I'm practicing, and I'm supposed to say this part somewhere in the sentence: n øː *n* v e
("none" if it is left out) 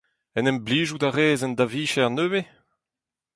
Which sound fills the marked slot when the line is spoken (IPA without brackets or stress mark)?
none